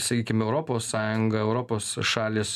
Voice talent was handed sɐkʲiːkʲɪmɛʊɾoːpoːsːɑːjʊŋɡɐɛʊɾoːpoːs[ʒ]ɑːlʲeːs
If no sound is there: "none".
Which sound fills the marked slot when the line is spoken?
ʃ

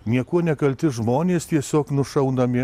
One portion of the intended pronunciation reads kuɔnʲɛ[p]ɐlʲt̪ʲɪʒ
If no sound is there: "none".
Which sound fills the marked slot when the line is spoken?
k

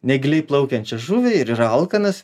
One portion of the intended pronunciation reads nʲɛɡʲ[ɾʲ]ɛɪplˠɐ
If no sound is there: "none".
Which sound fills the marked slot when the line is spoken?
lʲ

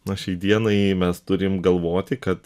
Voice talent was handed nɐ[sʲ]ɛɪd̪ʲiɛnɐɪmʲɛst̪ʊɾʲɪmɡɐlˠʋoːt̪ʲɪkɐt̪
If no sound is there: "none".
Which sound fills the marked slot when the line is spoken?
ʃʲ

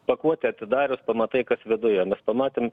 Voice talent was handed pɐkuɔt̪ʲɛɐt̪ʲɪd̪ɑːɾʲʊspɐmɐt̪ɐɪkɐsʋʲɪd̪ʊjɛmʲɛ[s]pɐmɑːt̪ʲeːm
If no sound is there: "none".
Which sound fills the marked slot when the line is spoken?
s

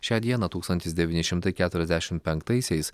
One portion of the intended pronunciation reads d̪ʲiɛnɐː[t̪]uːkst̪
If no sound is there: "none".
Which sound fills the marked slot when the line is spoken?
t̪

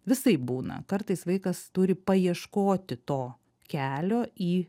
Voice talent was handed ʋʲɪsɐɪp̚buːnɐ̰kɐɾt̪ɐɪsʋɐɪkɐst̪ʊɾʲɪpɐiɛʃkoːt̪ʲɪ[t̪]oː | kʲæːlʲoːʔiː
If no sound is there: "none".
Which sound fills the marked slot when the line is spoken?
t̪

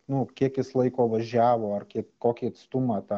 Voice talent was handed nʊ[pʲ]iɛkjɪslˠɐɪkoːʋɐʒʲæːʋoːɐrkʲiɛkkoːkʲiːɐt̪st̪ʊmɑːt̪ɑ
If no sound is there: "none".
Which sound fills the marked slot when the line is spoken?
kʲ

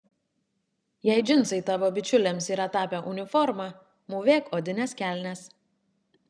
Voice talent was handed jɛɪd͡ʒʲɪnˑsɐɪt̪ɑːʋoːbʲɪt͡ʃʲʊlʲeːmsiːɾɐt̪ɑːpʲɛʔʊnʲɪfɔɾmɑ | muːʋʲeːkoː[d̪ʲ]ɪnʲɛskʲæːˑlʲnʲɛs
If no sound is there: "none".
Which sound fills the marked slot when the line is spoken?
d̪ʲ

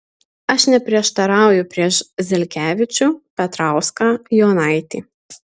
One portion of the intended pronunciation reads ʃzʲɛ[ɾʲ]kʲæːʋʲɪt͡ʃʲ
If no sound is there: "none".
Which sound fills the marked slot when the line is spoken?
lʲ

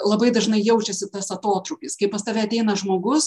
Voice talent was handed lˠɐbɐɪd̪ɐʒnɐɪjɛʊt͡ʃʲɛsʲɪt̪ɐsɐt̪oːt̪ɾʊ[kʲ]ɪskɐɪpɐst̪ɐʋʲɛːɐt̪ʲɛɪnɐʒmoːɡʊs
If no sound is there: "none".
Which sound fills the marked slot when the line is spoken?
kʲ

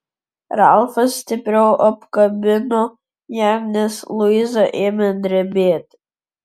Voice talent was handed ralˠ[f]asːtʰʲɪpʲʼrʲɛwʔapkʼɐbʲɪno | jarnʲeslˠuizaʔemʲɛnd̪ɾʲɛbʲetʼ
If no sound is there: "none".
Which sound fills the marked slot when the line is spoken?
f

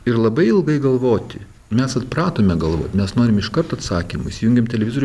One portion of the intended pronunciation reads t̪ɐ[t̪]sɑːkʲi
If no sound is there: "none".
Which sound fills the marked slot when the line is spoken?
t̪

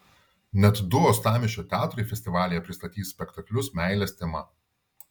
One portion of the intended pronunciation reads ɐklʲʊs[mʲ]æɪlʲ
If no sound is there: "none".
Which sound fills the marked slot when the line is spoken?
mʲ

